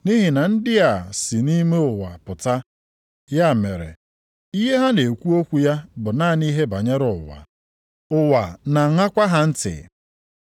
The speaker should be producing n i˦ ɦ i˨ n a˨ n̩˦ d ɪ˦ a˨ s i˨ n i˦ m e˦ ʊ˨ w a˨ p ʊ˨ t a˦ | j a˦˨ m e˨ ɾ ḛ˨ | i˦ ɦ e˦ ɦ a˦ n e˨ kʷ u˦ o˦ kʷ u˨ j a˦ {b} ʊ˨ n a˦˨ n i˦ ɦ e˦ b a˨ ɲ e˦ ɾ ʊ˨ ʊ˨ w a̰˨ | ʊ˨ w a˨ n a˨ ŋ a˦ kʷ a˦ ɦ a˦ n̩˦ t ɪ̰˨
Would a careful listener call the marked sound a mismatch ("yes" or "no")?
no